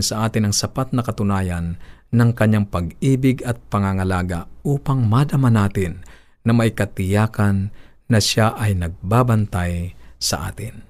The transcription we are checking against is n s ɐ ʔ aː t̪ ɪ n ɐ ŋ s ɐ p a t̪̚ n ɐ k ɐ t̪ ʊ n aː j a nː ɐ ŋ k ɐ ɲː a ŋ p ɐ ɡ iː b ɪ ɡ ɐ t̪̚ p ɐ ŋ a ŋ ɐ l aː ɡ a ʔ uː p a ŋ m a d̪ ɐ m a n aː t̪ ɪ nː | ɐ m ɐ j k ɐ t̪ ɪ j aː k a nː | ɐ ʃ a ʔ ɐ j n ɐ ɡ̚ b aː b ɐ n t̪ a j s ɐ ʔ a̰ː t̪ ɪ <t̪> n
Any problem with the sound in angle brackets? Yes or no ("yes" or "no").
yes